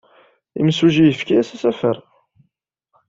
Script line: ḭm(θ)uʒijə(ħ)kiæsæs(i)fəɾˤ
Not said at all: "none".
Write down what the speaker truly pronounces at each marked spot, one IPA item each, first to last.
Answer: s, f, æ

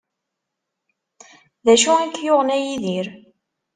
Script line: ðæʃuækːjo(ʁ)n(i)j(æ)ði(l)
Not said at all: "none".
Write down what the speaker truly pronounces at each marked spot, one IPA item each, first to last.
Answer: ʁ, æ, i, ɾ

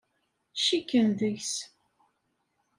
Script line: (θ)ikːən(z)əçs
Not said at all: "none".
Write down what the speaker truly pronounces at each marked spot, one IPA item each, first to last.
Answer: ʃ, ð

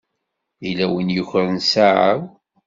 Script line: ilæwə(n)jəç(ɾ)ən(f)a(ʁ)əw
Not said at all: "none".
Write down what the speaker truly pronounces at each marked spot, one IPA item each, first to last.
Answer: n, ɾ, s, ʕ

